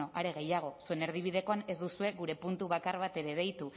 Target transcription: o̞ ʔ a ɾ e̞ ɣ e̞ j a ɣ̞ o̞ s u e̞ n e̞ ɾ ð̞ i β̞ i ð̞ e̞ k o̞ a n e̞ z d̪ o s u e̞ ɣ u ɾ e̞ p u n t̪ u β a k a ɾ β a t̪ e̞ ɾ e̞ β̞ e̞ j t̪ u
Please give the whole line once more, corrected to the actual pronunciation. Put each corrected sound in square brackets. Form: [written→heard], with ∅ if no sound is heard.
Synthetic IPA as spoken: o̞ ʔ a ɾ e̞ ɣ e̞ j a ɣ̞ o̞ s u e̞ n e̞ ɾ ð̞ i β̞ i ð̞ e̞ k o̞ a n e̞ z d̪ [o→u] s u e̞ ɣ u ɾ e̞ p u n t̪ u β a k a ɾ β a t̪ e̞ ɾ e̞ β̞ e̞ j t̪ u